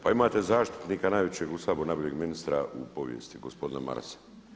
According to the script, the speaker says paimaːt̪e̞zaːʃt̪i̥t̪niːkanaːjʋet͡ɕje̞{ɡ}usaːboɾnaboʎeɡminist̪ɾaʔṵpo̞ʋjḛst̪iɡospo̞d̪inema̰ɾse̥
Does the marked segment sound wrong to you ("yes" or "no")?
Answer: no